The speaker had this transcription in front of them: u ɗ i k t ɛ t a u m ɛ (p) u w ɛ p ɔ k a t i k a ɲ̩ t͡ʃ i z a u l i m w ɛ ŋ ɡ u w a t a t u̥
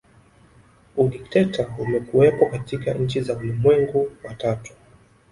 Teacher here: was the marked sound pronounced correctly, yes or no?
no